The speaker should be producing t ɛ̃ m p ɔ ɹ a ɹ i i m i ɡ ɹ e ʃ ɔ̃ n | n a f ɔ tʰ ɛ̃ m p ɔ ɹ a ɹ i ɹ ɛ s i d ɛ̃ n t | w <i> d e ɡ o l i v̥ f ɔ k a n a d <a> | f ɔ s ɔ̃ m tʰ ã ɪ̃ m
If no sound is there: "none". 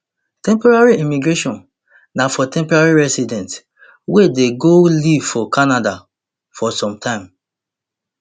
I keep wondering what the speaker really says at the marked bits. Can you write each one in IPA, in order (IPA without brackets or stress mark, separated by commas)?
e, a